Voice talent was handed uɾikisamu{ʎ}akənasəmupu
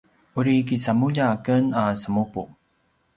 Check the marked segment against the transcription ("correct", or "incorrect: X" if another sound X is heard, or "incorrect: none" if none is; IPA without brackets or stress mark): correct